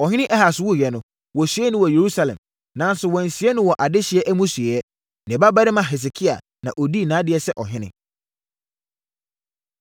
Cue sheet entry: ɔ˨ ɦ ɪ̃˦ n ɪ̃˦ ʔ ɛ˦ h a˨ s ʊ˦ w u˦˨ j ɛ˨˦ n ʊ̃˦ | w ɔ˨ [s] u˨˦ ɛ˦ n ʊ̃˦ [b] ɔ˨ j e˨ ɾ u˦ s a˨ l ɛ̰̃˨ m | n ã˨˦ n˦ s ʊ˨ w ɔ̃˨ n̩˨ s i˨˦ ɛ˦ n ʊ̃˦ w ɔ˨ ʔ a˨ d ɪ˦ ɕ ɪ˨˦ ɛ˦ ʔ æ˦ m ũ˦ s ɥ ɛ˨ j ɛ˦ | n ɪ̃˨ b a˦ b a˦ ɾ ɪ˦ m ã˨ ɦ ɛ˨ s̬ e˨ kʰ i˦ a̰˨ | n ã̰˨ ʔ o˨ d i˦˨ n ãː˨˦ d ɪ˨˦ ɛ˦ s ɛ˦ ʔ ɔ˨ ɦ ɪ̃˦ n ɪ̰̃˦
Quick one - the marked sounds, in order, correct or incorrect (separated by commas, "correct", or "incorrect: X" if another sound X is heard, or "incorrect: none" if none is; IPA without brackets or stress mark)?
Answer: correct, incorrect: w